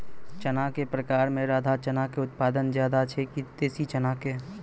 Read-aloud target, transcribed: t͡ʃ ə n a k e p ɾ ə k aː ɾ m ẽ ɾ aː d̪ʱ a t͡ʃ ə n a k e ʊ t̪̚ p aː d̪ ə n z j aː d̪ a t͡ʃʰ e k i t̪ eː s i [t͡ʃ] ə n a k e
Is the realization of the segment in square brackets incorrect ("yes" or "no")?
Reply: no